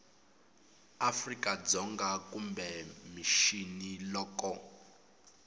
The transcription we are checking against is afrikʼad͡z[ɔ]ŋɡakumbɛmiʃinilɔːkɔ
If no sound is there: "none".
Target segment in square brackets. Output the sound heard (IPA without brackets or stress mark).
ɔ